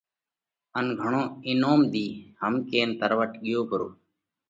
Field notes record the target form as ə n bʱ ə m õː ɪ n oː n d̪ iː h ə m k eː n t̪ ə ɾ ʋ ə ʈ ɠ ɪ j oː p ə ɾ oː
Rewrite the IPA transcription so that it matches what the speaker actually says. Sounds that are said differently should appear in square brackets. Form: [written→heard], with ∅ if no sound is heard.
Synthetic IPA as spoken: ə n [bʱ→ɡʱ] ə [m→ɳ] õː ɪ n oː [n→m] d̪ iː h ə m k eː n t̪ ə ɾ ʋ ə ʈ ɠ ɪ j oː p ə ɾ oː